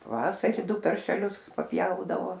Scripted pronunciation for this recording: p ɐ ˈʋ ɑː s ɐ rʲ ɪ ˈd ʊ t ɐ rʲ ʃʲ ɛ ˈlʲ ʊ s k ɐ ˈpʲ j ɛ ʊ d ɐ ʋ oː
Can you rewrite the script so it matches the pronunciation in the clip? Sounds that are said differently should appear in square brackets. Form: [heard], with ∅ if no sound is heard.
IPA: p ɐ ˈʋ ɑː s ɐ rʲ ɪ ˈd ʊ [p] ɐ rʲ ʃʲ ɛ ˈlʲ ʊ s [p] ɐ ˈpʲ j ɛ ʊ d ɐ ʋ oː

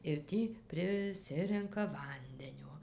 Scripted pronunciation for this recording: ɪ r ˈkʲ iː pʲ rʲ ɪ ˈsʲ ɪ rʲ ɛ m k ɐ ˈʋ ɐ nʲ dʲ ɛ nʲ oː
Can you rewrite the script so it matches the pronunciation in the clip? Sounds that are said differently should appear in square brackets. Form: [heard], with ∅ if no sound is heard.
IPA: ɪ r [ˈtʲ] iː pʲ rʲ ɪ ˈsʲ ɪ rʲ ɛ [ŋ] k ɐ ˈʋ ɐ nʲ dʲ ɛ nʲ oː

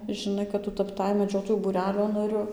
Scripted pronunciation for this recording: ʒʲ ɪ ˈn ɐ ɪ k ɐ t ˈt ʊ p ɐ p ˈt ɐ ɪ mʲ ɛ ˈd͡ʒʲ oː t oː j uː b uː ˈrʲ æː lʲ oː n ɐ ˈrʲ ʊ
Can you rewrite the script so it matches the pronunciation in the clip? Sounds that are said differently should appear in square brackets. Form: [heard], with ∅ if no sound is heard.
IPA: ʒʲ ɪ ˈn ɐ ɪ k ɐ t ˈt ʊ [t] ɐ p ˈt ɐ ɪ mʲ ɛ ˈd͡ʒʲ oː t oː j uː b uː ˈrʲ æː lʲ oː n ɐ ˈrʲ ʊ

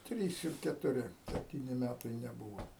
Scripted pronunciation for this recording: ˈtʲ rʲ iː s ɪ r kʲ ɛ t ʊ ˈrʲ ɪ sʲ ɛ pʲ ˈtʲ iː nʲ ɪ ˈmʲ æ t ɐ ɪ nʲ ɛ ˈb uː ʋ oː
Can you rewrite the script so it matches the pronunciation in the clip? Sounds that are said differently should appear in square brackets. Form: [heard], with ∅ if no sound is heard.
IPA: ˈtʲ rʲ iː s ɪ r kʲ ɛ t ʊ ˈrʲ ɪ sʲ ɛ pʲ ˈtʲ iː nʲ ɪ ˈmʲ æ t ɐ ɪ nʲ ɛ ˈb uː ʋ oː

